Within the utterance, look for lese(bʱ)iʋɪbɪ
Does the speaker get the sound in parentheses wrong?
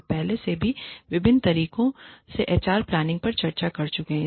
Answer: no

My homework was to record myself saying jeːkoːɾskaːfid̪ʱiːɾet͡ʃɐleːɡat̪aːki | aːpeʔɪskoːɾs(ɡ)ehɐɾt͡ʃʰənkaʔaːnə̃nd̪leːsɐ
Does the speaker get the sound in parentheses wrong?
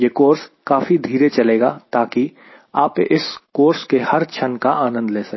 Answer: yes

